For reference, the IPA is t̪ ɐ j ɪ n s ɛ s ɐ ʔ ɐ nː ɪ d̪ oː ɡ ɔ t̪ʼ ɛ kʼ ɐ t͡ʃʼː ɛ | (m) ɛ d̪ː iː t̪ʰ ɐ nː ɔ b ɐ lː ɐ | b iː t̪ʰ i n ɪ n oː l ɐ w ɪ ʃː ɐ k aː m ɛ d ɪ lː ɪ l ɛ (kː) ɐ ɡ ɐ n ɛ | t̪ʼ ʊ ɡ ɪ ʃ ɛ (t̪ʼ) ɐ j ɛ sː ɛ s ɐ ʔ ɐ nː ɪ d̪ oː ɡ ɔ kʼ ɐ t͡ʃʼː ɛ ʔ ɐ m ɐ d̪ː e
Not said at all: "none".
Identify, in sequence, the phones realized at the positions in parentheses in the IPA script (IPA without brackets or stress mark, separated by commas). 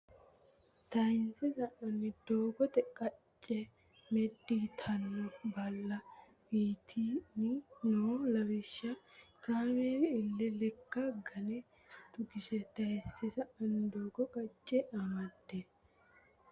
m, kː, t̪